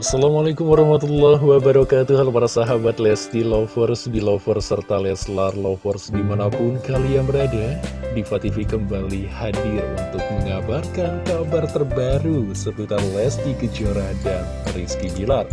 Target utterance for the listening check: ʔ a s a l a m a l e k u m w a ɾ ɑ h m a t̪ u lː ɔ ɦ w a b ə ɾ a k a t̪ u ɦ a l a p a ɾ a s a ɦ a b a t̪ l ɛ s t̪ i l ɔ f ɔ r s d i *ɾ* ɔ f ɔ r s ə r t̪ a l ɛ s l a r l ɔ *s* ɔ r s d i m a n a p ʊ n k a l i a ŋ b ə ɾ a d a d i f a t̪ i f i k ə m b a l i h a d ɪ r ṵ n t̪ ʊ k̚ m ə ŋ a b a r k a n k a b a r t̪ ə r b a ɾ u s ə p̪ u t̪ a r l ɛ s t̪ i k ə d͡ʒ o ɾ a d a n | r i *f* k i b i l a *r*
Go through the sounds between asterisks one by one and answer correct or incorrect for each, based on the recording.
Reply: incorrect: l, incorrect: f, incorrect: s, correct

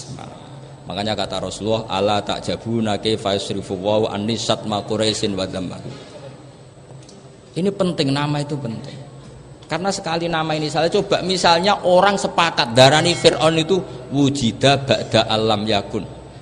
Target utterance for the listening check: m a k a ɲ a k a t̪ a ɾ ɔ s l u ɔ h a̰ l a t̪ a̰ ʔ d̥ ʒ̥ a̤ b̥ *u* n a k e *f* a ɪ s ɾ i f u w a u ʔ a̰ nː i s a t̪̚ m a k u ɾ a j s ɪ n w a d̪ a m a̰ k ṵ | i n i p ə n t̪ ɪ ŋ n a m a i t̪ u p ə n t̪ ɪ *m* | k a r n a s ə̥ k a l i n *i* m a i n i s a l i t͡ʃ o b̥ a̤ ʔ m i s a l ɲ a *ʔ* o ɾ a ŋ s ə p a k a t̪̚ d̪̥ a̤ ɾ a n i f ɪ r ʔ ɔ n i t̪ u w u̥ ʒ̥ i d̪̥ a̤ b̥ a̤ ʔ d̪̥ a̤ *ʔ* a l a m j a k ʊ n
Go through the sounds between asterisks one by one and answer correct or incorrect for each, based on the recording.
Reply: correct, correct, incorrect: ŋ, incorrect: a, correct, correct

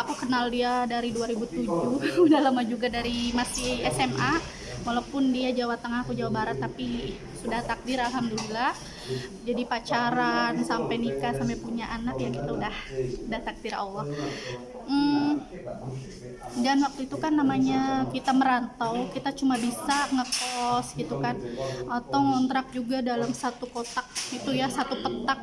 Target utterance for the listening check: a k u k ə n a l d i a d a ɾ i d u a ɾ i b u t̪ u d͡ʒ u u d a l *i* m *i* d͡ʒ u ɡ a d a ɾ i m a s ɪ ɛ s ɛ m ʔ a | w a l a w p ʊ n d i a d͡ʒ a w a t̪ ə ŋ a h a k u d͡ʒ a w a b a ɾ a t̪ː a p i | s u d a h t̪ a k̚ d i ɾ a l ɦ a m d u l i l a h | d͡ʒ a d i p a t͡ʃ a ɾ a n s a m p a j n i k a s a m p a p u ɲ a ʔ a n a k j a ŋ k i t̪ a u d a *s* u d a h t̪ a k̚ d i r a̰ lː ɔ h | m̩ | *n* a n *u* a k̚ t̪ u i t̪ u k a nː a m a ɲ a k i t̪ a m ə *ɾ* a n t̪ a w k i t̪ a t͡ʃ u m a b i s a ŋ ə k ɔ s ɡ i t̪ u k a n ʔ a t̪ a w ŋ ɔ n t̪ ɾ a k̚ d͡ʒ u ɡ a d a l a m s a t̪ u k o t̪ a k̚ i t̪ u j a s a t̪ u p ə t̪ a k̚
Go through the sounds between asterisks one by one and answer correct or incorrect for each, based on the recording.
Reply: incorrect: a, incorrect: a, incorrect: h, incorrect: d, incorrect: w, correct

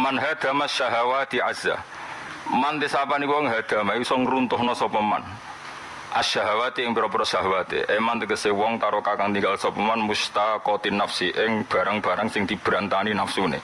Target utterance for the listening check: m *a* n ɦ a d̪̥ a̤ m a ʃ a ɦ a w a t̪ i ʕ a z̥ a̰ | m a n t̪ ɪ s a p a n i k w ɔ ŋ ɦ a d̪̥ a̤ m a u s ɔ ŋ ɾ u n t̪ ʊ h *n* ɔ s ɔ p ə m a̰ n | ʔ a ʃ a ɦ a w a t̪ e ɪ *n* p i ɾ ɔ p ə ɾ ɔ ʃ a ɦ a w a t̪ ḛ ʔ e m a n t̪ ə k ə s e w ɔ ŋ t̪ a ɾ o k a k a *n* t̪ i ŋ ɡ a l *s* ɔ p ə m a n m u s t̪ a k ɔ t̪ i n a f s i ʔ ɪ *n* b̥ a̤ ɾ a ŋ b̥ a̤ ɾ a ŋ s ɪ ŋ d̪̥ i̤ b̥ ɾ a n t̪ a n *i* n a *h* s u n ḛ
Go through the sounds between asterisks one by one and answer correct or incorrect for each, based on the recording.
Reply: correct, correct, incorrect: ŋ, incorrect: ŋ, correct, incorrect: ŋ, correct, incorrect: f

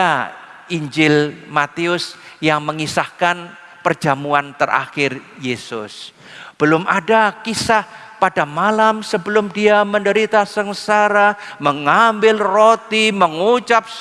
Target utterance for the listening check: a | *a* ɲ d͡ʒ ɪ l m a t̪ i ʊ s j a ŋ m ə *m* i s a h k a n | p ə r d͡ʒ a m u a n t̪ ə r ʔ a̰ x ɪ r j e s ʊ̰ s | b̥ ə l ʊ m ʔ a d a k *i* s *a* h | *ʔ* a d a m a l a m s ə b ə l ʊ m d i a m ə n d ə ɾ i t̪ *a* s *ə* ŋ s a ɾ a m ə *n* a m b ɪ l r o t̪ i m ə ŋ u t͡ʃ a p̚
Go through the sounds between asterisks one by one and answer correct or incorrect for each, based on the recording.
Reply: incorrect: i, incorrect: ŋ, correct, correct, incorrect: p, correct, correct, incorrect: ŋ

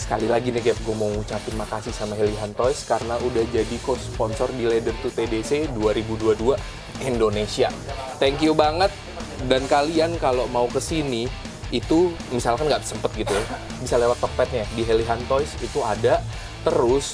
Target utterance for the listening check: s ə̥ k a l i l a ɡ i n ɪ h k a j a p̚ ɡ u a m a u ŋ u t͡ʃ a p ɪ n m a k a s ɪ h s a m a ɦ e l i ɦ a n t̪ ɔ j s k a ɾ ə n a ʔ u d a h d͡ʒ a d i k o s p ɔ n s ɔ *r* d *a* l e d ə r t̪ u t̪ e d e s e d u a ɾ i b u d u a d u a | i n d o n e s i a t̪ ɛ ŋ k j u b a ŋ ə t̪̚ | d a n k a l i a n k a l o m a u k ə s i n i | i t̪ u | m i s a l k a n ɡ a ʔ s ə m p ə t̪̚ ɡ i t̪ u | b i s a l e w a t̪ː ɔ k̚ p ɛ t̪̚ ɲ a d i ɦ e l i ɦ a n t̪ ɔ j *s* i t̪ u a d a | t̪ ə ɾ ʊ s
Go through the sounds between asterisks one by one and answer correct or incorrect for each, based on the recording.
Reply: correct, incorrect: i, correct

